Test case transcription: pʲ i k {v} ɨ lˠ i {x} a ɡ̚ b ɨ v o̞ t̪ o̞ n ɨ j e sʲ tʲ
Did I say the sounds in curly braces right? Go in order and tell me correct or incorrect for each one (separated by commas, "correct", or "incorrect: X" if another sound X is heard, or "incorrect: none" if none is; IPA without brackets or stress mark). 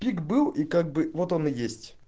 incorrect: b, incorrect: k